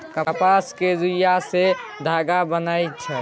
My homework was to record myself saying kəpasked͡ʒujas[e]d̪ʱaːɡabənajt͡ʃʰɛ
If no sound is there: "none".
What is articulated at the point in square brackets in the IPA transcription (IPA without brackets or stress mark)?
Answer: e